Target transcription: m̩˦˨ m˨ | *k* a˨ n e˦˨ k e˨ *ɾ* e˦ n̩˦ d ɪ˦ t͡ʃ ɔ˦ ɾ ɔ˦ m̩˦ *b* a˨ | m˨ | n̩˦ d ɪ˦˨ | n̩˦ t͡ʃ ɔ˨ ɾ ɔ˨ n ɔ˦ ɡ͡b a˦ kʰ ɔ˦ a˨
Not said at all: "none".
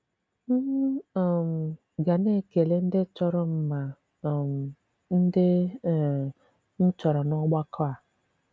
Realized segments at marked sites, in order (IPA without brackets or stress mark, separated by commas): ɡ, l, m